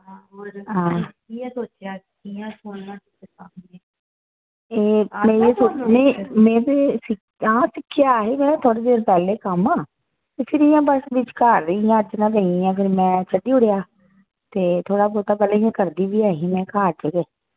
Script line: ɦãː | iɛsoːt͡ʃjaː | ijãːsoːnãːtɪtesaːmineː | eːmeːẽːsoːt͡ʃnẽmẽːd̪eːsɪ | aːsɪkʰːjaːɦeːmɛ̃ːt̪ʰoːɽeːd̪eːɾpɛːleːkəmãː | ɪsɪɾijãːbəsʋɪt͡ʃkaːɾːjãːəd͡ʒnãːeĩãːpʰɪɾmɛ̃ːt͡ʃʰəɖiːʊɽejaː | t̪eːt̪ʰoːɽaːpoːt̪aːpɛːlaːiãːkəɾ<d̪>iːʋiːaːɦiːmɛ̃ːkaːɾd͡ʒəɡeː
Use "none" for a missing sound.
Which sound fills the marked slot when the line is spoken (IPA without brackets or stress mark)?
d̪